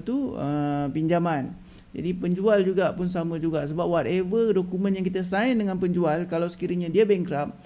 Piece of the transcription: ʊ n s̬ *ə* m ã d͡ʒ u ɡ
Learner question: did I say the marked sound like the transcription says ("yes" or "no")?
no